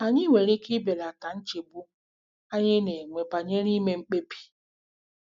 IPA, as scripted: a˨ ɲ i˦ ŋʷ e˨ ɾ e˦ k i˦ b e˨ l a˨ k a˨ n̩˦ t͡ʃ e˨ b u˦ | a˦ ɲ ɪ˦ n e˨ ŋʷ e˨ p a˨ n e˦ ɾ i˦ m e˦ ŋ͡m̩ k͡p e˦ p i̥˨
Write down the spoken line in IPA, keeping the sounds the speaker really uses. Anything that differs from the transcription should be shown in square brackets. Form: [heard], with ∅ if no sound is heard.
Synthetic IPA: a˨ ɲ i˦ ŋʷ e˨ ɾ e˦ k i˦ b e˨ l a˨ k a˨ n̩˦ t͡ʃ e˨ b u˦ | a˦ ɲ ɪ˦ n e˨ ŋʷ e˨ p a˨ [ɲ] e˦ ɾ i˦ m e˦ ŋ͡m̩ k͡p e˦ p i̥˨

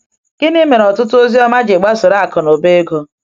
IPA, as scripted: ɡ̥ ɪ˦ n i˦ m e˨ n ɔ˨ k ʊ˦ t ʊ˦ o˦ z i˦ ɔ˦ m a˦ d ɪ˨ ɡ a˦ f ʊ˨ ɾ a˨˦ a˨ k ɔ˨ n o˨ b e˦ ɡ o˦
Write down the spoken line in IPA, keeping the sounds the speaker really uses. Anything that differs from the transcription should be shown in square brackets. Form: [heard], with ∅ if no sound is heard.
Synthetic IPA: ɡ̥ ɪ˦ n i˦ m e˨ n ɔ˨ [t] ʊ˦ t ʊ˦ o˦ z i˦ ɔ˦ m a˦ [d͡ʒ] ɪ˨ [ɡ͡b] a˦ [s] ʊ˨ ɾ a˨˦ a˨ k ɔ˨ n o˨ b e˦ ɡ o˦

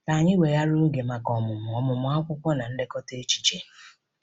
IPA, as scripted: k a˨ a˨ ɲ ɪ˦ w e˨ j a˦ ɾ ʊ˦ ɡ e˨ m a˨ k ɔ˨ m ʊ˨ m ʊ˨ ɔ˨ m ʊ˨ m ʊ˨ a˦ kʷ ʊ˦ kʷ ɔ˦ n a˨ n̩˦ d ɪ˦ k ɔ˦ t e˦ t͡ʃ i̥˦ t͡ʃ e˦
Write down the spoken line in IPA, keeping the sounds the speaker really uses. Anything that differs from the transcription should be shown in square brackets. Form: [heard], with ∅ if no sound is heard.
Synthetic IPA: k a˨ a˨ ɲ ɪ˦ w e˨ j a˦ ɾ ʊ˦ ɡ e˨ m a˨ k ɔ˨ m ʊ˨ m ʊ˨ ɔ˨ m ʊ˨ m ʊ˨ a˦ kʷ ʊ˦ kʷ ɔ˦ n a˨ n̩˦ d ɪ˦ k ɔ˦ t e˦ t͡ʃ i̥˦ t͡ʃ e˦

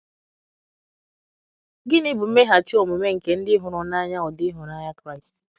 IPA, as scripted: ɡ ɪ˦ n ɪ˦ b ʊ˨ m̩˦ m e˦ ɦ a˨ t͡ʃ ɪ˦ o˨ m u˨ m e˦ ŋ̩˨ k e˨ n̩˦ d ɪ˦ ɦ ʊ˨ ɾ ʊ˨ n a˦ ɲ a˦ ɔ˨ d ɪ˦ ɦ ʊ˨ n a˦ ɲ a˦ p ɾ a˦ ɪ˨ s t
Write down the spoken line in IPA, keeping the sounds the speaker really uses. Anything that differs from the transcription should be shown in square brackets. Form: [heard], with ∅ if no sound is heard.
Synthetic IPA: ɡ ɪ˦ n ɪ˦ b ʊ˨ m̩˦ m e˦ ɦ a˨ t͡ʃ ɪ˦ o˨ m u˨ m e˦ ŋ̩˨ k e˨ n̩˦ d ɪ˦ ɦ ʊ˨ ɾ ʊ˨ n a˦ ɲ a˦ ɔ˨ d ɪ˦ ɦ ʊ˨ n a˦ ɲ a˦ [k] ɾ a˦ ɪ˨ s t

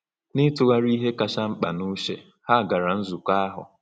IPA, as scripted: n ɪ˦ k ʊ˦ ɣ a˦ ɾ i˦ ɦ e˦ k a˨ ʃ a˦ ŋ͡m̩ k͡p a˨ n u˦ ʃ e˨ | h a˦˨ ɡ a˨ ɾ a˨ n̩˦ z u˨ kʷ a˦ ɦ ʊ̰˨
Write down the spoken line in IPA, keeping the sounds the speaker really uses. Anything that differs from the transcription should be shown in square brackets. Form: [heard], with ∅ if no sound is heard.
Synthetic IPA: n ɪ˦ [t] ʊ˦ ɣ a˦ ɾ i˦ ɦ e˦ k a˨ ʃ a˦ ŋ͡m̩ k͡p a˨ n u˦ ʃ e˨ | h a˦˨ ɡ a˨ ɾ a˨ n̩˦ z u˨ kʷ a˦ ɦ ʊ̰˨

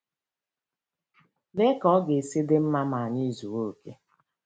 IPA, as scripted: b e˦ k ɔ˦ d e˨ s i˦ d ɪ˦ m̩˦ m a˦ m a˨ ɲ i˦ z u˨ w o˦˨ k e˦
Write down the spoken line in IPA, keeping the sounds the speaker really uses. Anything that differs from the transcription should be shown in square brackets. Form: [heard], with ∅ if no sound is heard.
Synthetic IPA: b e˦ k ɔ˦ [ɡ] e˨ s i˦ d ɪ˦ m̩˦ m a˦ m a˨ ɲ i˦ z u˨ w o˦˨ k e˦

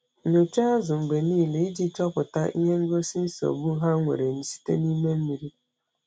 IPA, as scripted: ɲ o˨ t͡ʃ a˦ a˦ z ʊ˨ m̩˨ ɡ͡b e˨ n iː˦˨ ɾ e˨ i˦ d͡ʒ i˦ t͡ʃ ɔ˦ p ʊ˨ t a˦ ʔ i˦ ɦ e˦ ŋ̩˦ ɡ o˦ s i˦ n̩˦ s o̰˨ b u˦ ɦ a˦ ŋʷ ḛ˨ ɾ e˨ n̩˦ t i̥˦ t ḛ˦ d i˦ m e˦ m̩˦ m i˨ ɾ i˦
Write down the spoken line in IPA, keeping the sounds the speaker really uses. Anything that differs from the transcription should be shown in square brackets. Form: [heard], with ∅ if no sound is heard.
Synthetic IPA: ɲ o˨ t͡ʃ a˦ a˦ z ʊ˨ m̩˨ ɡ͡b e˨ n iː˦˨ [l] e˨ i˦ d͡ʒ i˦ t͡ʃ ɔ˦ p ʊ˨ t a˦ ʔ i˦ ɦ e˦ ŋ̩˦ ɡ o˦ s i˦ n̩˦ s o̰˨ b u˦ ɦ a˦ ŋʷ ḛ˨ ɾ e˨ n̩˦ [s] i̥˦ t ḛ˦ [n] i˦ m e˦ m̩˦ m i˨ ɾ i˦

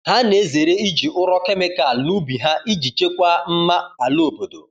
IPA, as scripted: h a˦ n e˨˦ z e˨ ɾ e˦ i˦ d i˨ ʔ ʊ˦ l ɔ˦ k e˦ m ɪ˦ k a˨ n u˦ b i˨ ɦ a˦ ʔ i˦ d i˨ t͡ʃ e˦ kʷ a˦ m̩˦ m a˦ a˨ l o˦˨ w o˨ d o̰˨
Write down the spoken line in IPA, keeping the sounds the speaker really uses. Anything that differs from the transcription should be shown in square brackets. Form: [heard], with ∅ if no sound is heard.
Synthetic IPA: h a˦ n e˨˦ z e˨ ɾ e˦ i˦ [d͡ʒ] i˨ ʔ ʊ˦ [ɾ] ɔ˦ k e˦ m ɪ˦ k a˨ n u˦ b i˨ ɦ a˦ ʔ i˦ [d͡ʒ] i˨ t͡ʃ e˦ kʷ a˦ m̩˦ m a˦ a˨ l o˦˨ [b] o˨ d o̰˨

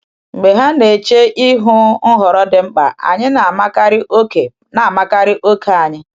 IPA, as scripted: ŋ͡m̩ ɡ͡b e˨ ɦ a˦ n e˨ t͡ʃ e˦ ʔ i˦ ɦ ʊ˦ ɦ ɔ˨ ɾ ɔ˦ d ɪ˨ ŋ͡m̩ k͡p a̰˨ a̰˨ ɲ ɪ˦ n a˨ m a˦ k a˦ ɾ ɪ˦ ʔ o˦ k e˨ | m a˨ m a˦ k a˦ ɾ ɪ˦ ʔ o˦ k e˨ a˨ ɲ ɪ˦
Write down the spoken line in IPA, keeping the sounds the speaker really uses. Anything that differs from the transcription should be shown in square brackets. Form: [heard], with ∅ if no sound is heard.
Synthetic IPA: ŋ͡m̩ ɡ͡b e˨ ɦ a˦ n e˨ t͡ʃ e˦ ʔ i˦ ɦ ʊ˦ ɦ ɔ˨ ɾ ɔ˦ d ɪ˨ ŋ͡m̩ k͡p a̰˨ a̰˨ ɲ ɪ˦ n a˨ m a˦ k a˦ ɾ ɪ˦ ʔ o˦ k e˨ | [n] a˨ m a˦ k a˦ ɾ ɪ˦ ʔ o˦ k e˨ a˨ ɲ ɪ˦

